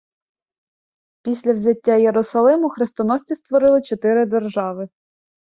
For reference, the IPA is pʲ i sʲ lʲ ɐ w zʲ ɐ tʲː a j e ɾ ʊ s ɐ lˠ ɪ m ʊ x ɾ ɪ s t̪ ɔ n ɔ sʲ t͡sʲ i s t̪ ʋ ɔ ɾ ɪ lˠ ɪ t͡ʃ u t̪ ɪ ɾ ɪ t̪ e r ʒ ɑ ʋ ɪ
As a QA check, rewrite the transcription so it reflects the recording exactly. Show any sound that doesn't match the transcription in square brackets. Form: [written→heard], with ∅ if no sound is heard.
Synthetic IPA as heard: pʲ i sʲ lʲ ɐ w zʲ ɐ tʲː a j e ɾ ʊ s ɐ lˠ ɪ m ʊ x ɾ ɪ s t̪ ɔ n ɔ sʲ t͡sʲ i s t̪ ʋ ɔ ɾ ɪ lˠ ɪ t͡ʃ [u→ɔ] t̪ ɪ ɾ ɪ [t̪→d̪] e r ʒ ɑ ʋ ɪ